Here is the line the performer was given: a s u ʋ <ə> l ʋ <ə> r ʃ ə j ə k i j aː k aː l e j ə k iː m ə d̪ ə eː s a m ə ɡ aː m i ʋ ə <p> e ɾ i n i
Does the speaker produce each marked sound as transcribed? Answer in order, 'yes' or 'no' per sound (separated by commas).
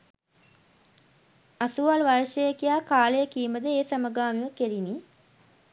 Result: no, no, no